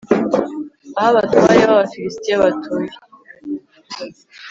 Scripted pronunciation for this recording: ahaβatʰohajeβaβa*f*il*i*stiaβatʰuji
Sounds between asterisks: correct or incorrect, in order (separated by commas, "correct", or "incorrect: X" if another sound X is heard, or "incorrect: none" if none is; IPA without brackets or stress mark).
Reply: correct, correct